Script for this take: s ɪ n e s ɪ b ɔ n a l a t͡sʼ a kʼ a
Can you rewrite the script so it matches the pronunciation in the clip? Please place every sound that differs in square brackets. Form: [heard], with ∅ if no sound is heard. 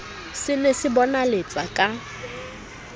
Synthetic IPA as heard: s ɪ n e s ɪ b ɔ n a l [e] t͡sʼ a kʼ a